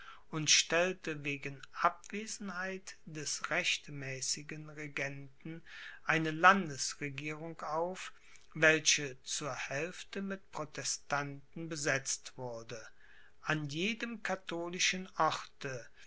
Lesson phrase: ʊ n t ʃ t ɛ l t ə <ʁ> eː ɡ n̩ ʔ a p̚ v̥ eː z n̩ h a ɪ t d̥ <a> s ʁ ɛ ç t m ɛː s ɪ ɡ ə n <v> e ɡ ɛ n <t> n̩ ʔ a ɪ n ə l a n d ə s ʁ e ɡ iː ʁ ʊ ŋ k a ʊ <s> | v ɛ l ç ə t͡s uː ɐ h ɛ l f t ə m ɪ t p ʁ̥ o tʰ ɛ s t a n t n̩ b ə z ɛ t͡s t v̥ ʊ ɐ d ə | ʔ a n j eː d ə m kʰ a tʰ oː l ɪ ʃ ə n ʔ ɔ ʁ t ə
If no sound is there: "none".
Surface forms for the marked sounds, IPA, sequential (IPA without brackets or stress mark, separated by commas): v, ɛ, ʁ, t, f